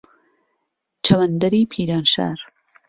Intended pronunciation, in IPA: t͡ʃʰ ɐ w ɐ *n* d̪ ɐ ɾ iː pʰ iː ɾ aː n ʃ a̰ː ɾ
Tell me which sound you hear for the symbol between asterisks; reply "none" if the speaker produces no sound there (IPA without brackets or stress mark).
n